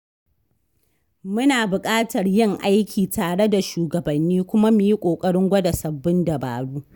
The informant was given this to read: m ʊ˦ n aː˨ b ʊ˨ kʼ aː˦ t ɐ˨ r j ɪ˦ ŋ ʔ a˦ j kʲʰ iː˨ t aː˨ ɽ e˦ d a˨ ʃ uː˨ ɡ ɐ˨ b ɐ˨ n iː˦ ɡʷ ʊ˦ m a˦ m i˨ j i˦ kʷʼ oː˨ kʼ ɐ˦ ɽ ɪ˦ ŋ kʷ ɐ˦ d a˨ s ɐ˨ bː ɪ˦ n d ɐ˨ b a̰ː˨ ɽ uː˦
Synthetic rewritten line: m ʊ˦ n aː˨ b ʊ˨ kʼ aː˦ t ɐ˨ r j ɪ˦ ŋ ʔ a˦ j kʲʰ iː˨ t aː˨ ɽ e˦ d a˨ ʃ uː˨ ɡ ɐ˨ b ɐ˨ nː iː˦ kʷ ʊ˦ m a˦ m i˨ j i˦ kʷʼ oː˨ kʼ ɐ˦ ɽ ɪ˦ ŋ ɡʷ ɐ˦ d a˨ s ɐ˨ bː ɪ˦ n d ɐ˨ b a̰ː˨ ɽ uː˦